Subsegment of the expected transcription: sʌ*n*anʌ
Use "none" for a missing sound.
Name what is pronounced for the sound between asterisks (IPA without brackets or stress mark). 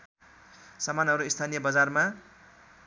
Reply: m